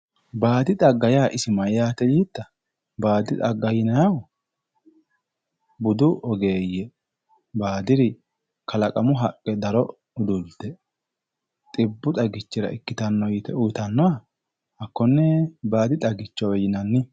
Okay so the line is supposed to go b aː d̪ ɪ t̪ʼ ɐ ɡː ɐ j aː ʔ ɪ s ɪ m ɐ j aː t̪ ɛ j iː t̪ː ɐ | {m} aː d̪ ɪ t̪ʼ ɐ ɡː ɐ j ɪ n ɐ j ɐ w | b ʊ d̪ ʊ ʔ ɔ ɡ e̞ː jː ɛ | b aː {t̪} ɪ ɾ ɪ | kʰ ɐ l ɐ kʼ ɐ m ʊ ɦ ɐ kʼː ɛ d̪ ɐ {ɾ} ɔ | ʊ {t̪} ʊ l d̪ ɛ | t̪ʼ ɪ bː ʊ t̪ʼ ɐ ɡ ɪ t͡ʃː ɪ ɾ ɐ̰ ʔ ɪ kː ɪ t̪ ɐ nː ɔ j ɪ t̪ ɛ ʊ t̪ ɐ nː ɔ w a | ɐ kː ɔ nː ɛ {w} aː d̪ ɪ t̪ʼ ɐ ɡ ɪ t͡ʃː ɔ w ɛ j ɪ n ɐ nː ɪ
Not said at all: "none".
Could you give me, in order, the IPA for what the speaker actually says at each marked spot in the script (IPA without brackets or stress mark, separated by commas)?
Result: b, d̪, ɾ, d̪, b